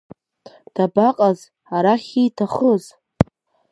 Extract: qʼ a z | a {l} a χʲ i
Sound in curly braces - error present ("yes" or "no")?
yes